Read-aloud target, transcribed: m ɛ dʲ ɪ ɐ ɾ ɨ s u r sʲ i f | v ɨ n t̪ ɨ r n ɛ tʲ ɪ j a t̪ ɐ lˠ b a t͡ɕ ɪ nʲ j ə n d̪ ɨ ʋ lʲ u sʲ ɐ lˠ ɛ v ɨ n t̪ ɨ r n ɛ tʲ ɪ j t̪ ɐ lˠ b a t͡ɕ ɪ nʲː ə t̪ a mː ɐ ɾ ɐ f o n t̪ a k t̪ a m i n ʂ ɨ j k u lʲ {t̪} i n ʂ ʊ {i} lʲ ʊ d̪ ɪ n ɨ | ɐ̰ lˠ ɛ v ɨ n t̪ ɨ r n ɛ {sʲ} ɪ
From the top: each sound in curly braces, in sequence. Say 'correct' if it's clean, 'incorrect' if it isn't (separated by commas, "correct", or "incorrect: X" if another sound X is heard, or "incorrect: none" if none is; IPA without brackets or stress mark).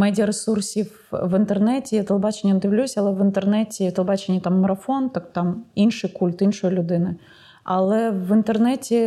correct, incorrect: j, incorrect: tʲ